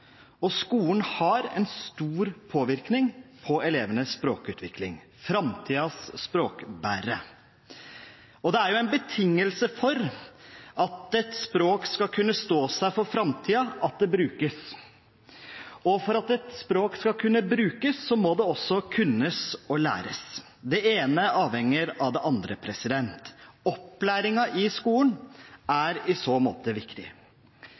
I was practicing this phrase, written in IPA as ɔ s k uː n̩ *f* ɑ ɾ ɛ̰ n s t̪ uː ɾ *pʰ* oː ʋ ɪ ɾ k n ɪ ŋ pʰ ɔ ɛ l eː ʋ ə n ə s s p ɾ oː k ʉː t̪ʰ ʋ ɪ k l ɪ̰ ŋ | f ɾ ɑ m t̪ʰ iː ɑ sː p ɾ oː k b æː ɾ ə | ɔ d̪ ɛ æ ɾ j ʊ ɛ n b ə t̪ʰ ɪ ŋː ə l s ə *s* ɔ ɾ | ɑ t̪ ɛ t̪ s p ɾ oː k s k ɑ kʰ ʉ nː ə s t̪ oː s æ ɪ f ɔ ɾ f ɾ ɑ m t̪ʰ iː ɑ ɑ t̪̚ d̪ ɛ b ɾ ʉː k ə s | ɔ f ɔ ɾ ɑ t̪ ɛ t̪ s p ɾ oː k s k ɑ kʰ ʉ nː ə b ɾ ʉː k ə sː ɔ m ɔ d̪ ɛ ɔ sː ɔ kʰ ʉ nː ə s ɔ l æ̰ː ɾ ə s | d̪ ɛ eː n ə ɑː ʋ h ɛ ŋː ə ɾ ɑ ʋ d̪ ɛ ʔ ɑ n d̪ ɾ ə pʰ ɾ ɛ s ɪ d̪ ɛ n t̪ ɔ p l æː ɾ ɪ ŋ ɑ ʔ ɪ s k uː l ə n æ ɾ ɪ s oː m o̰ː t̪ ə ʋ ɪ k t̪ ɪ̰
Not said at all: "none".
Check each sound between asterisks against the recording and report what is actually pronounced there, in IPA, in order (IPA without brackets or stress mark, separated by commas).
h, pʰ, f